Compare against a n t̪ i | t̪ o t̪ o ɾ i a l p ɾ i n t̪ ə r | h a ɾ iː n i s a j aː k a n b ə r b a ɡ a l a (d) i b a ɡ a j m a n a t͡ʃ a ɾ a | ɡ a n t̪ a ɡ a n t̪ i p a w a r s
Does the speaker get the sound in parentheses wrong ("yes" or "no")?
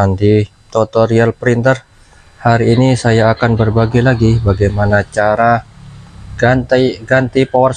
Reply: yes